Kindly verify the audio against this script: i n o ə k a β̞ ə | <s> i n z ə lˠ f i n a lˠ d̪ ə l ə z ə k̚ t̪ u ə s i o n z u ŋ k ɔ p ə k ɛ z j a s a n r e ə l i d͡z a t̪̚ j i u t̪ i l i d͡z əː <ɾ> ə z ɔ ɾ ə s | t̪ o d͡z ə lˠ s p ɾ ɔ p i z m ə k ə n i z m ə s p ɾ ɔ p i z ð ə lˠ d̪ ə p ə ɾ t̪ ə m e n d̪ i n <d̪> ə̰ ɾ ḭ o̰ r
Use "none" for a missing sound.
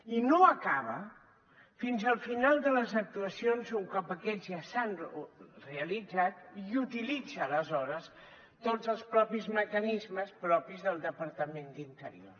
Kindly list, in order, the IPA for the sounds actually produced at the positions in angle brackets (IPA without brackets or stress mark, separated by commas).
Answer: f, l, t̪